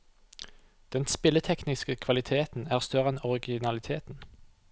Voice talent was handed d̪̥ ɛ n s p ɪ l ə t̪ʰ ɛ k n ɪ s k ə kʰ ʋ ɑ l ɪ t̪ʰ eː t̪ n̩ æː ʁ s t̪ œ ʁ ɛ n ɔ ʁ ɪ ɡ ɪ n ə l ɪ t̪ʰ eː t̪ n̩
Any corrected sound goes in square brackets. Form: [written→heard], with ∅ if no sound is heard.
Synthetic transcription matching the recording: d̪̥ ɛ n s p ɪ l ə t̪ʰ ɛ k n ɪ s k ə kʰ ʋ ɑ l ɪ t̪ʰ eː t̪ n̩ æː ʁ s t̪ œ ʁ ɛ n ɔ ʁ ɪ ɡ ɪ n [ə→ɑ] l ɪ t̪ʰ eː t̪ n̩